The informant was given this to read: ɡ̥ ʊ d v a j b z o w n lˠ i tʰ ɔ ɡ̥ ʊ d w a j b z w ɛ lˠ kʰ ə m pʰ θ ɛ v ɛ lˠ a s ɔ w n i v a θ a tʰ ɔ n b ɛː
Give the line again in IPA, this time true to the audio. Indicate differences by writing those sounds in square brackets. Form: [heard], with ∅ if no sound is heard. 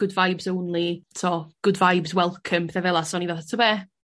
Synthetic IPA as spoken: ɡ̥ ʊ d v a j b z o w n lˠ i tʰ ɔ ɡ̥ ʊ d [v] a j b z w ɛ lˠ kʰ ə m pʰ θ ɛ v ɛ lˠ a s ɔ [∅] n i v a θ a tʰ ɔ [∅] b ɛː